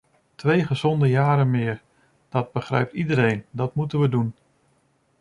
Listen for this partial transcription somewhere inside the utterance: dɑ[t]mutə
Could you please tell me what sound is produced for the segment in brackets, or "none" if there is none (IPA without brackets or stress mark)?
t